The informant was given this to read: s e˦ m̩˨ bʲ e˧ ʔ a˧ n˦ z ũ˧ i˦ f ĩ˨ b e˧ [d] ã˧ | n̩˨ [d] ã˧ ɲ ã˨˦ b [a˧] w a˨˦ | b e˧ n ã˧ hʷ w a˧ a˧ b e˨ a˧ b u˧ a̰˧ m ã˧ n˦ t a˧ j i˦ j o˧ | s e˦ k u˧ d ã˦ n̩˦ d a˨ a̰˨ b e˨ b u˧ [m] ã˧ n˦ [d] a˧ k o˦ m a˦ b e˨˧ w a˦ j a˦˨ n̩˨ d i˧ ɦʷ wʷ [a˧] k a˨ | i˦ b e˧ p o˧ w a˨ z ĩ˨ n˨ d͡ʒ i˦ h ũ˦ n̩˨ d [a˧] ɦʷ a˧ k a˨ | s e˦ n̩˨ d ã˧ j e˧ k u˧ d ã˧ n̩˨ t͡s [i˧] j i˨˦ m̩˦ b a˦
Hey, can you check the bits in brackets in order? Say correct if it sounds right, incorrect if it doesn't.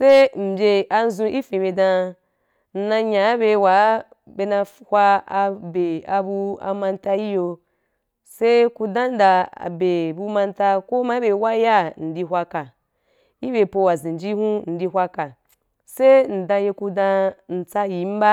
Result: correct, incorrect: n, incorrect: e˧, correct, incorrect: t, correct, incorrect: i˧, incorrect: a˧

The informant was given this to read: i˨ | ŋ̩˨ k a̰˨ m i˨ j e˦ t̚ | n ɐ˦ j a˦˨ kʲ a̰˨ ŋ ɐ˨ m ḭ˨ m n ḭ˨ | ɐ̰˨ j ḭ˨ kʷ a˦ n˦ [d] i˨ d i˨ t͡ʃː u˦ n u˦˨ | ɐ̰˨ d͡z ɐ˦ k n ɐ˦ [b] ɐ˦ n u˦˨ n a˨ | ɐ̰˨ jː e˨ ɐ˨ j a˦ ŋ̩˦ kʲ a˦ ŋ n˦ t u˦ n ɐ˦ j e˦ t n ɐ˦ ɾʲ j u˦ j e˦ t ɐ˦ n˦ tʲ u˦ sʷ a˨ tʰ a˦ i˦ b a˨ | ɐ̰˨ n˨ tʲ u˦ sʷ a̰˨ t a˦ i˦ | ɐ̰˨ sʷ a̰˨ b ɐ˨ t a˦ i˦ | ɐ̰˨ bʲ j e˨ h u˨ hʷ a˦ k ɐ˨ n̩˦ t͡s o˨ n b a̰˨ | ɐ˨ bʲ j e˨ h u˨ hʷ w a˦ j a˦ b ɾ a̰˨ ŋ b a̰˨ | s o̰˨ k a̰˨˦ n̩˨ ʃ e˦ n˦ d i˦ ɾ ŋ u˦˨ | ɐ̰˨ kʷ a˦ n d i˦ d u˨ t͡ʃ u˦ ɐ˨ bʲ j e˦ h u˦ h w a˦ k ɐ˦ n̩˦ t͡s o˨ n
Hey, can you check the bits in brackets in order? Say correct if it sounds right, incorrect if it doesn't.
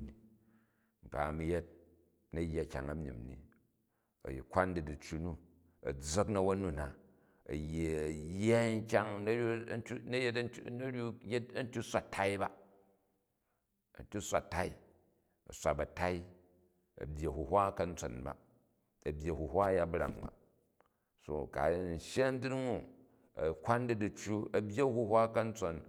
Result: correct, incorrect: w

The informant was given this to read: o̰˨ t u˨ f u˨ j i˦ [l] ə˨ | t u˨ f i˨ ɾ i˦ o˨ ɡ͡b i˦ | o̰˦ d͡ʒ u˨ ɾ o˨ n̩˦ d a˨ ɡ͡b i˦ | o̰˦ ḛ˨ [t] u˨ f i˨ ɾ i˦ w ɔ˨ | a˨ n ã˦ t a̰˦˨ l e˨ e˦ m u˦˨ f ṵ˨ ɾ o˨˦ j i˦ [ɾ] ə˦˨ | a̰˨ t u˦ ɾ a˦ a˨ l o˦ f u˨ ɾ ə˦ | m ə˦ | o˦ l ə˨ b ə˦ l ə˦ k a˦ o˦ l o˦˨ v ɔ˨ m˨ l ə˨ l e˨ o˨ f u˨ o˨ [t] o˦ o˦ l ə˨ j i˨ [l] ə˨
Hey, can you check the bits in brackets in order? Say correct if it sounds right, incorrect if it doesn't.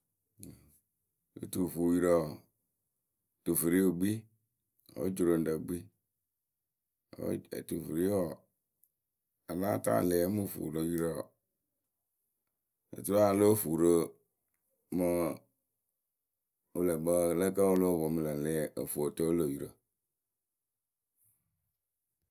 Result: incorrect: ɾ, correct, correct, correct, incorrect: ɾ

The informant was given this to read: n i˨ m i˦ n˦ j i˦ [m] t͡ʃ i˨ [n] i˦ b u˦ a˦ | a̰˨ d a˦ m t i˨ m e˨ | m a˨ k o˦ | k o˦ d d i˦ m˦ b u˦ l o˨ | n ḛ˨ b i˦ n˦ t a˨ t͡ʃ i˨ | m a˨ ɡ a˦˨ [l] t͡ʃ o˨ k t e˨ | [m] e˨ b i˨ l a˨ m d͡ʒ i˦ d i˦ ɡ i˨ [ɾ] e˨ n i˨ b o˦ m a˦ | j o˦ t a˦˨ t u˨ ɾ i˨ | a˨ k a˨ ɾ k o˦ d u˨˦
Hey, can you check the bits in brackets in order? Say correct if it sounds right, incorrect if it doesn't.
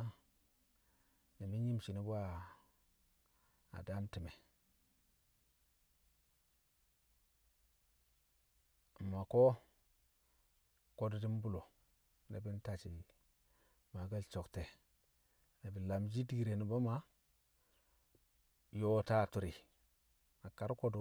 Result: correct, correct, correct, incorrect: n, correct

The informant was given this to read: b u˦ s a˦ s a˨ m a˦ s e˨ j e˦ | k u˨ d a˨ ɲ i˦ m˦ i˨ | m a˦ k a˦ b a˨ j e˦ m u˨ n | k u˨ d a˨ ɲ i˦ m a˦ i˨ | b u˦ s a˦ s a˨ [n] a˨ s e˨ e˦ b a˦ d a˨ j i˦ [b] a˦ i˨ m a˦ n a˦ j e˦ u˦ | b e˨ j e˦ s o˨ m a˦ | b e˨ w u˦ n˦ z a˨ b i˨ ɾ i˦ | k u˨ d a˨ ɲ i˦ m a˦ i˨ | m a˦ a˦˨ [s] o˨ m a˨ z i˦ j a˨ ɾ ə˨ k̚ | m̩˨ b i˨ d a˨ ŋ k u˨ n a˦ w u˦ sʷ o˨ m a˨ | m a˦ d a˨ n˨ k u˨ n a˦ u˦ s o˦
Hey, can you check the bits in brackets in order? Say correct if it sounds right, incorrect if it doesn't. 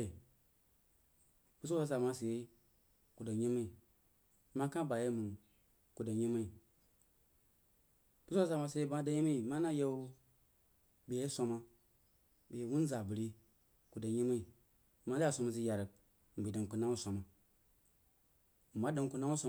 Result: incorrect: m, incorrect: m, correct

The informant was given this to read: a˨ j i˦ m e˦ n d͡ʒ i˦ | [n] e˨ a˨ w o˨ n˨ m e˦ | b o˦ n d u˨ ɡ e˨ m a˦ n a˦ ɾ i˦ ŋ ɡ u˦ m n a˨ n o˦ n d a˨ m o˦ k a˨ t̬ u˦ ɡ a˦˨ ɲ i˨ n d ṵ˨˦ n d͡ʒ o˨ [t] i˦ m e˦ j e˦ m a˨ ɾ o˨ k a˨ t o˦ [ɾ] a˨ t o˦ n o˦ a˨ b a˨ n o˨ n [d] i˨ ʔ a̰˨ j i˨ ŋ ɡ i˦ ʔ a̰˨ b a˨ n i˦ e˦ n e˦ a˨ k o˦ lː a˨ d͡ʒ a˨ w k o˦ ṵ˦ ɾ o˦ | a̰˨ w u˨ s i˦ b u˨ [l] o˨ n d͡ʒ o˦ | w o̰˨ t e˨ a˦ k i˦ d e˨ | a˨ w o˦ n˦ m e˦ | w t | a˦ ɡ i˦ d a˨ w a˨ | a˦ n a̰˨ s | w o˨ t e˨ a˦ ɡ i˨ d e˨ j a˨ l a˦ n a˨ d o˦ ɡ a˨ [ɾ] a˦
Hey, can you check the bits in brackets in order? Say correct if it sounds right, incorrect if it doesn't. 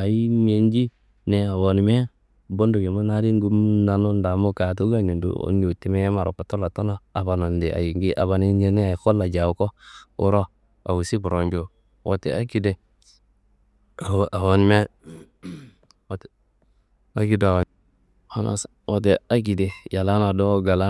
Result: correct, correct, incorrect: l, correct, incorrect: ɾ, incorrect: l

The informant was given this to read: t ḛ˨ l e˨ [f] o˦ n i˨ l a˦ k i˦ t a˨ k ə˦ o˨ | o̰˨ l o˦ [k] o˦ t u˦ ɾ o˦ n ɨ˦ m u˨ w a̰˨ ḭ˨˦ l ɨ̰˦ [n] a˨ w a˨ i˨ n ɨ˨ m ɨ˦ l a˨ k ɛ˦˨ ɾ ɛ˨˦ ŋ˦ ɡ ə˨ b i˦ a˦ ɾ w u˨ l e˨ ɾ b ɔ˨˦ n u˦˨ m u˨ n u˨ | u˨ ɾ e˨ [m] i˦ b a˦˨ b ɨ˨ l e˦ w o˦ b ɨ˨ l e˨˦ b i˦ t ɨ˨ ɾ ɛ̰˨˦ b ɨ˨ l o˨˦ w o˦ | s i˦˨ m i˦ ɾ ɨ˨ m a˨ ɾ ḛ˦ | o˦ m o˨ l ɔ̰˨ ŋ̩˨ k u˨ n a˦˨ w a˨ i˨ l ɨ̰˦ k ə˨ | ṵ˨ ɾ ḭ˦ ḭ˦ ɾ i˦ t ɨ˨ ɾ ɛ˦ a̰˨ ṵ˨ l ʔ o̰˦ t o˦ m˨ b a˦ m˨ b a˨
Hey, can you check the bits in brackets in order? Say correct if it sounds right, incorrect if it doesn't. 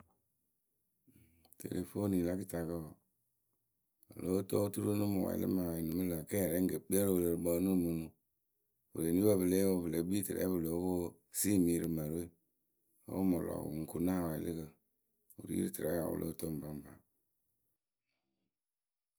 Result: correct, incorrect: t, incorrect: m, incorrect: n

